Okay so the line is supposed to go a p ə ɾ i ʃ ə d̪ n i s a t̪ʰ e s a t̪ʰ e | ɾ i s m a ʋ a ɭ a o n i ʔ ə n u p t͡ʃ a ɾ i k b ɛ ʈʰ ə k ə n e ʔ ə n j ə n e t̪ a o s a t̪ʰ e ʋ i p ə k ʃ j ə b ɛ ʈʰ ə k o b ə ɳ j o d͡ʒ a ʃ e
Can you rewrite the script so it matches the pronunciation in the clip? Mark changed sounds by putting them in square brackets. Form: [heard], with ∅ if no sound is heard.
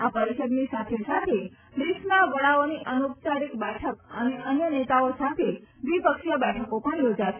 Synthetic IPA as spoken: a p ə ɾ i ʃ ə d̪ n i s a t̪ʰ e s a t̪ʰ e | ɾ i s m a ʋ [ə] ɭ a o n i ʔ ə n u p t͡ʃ a ɾ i k b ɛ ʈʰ ə k ə n e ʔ ə n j ə n e t̪ a o s a t̪ʰ e ʋ i p ə k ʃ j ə b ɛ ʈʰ ə k o [p] ə ɳ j o d͡ʒ a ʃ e